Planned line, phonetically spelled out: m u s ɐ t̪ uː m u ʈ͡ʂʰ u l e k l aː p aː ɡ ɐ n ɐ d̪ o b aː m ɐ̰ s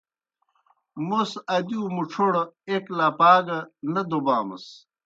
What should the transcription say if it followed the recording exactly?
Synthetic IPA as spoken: m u s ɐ d̪ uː m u ʈ͡ʂʰ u ɽ e k l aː p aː ɡ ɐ n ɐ d̪ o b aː m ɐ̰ s